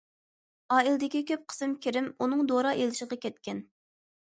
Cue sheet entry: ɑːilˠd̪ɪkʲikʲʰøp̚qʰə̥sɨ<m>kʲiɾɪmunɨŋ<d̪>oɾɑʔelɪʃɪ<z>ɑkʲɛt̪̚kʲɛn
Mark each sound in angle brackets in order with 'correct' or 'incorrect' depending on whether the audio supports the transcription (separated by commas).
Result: correct, correct, incorrect